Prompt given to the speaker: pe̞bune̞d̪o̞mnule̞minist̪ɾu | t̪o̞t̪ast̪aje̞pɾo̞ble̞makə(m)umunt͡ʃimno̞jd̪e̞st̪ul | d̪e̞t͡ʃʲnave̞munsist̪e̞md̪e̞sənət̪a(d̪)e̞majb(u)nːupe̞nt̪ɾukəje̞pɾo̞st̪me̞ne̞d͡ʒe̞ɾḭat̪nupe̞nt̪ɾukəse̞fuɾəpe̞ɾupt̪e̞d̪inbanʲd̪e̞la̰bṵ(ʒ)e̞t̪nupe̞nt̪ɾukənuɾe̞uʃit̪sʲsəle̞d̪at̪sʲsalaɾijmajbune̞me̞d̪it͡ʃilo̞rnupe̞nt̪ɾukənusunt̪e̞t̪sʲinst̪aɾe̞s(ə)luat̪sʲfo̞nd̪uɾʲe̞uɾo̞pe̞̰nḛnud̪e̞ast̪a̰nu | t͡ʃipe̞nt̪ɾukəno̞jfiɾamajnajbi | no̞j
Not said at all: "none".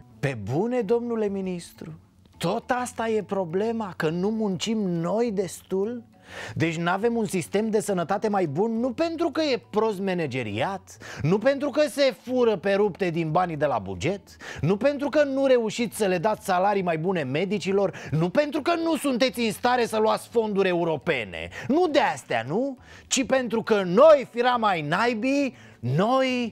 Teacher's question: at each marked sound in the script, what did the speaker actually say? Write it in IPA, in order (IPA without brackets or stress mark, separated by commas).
n, t̪, u, d͡ʒ, ə